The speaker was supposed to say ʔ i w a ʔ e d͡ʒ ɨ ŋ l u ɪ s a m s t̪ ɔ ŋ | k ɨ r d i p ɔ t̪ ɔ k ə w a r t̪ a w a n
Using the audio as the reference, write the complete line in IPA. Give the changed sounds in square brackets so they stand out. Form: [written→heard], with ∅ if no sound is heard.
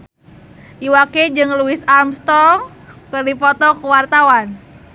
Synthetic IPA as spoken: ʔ i w a [ʔ→k] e d͡ʒ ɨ ŋ l u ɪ s a m s t̪ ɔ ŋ | k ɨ r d i p ɔ t̪ ɔ k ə w a r t̪ a w a n